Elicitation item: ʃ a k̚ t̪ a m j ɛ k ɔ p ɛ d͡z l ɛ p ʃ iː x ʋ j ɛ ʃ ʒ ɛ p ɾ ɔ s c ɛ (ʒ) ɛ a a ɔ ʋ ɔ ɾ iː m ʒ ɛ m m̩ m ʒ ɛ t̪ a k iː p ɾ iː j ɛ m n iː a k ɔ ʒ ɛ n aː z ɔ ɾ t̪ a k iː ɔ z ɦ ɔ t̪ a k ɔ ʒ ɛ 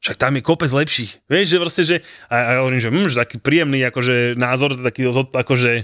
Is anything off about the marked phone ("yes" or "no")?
no